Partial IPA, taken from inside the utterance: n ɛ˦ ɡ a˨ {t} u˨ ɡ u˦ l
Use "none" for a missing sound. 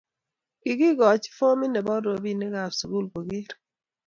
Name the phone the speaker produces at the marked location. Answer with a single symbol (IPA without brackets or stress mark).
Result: s